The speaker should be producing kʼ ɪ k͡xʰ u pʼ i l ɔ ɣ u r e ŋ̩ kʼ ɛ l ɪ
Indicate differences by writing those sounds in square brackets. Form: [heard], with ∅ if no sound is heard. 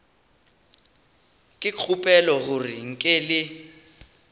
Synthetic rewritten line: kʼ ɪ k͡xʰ u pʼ [ɛ] l ɔ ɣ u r [i] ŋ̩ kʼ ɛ l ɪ